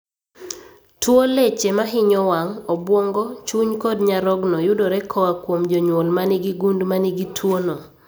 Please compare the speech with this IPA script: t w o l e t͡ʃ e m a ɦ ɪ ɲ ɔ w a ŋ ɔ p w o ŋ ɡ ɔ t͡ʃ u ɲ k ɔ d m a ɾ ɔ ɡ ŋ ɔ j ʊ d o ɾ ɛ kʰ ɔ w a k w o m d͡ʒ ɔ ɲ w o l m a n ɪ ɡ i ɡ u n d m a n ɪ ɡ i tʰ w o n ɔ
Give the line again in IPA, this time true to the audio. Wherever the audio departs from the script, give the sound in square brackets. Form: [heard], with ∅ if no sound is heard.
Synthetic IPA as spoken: t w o l e t͡ʃ e m a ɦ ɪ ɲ ɔ w a ŋ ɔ [b] w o ŋ ɡ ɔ t͡ʃ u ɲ k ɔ d [ɲ] a ɾ ɔ ɡ [n] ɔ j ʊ d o ɾ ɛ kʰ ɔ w a k w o m d͡ʒ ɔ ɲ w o l m a n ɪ ɡ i ɡ u n d m a n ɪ ɡ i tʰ w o n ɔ